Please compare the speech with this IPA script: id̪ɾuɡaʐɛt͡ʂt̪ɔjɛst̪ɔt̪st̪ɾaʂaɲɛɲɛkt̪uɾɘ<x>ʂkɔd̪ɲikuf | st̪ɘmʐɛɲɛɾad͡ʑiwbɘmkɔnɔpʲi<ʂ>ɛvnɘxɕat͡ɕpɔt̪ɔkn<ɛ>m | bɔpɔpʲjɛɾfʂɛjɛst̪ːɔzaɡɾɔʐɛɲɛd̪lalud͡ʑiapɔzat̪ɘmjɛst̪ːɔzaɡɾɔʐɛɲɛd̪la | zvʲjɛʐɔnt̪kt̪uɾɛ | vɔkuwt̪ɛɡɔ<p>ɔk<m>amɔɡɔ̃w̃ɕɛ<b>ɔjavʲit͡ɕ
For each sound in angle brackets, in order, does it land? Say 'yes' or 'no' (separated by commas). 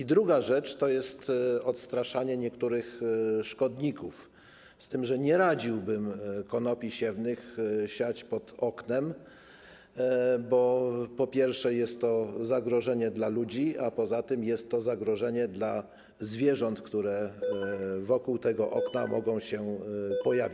yes, no, yes, no, no, no